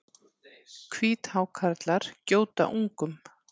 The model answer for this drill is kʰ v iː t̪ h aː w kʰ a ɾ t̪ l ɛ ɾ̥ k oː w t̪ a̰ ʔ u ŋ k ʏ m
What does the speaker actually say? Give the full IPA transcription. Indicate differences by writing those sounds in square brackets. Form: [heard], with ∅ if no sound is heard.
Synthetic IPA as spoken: kʰ v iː t̪ h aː w kʰ a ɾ t̪ l [a] ɾ̥ [c] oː w t̪ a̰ ʔ u ŋ k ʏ m